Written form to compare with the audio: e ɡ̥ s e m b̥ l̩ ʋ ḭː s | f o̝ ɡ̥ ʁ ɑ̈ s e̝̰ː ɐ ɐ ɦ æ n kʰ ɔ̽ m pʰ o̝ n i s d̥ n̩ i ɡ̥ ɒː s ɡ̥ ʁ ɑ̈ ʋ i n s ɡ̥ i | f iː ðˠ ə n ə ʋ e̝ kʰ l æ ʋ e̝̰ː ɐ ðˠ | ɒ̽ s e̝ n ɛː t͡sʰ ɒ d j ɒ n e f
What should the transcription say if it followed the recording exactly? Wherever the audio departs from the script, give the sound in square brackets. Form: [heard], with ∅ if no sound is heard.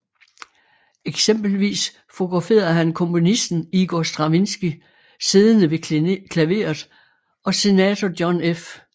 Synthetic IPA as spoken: e ɡ̥ s e m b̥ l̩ ʋ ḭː s | f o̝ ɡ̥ ʁ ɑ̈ [f] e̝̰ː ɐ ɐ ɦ æ n kʰ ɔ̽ m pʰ o̝ n i s d̥ n̩ i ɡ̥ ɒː s [d̥] ʁ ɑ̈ ʋ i n s ɡ̥ i | [s] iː ðˠ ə n ə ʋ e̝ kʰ l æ ʋ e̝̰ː ɐ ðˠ | ɒ̽ s e̝ n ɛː t͡sʰ ɒ d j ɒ n e f